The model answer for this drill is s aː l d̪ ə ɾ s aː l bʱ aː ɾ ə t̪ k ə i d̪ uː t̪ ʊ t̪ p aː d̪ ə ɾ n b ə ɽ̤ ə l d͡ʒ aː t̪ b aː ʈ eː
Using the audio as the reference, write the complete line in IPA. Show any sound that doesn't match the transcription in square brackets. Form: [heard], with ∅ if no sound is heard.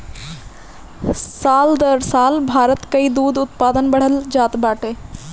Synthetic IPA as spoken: s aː l d̪ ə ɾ s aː l bʱ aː ɾ ə t̪ k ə i d̪ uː [d̪] ʊ t̪ p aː d̪ ə [∅] n b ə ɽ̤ ə l d͡ʒ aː t̪ b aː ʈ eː